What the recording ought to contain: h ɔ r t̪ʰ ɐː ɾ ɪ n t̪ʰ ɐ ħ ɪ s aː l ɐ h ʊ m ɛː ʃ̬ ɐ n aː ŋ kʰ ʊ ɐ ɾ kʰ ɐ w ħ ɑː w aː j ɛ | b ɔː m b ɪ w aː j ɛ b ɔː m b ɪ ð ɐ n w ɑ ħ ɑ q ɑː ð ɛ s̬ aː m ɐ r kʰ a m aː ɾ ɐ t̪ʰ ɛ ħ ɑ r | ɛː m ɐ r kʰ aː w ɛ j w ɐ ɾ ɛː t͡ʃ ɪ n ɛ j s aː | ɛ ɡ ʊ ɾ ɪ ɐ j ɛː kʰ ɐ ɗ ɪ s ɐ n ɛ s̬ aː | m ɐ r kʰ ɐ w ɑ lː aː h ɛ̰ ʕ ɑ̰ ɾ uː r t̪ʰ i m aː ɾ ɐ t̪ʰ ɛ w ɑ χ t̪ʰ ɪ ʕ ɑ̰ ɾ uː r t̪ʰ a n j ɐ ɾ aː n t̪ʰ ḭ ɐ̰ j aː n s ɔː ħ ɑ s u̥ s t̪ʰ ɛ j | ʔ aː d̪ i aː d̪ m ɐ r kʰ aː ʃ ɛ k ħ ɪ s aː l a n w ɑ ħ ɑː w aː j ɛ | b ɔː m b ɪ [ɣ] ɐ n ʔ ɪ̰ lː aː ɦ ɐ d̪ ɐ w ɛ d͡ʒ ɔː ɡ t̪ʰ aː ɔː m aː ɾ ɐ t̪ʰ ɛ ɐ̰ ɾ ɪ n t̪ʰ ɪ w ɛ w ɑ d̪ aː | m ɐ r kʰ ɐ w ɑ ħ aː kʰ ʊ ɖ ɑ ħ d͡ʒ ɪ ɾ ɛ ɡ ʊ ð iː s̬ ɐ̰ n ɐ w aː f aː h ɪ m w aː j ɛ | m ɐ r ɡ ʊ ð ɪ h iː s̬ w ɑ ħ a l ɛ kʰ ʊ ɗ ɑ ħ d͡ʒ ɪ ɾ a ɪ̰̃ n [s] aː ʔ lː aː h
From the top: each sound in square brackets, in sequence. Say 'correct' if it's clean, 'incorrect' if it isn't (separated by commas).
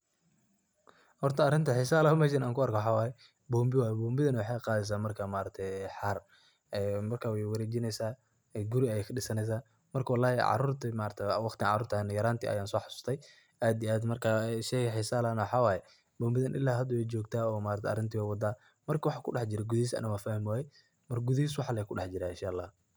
incorrect, incorrect